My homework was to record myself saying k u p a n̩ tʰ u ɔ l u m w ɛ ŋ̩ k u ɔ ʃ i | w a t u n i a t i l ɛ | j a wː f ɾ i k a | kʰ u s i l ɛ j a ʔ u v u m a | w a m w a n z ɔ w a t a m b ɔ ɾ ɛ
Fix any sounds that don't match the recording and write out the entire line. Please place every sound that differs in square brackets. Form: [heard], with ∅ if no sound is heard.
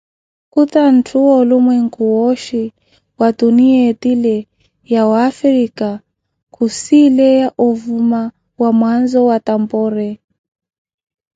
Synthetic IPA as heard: k u [t] a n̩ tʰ u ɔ l u m w ɛ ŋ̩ k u ɔ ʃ i | w a t u n i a t i l ɛ | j a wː f ɾ i k a | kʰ u s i l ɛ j a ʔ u v u m a | w a m w a n z ɔ w a t a m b ɔ ɾ ɛ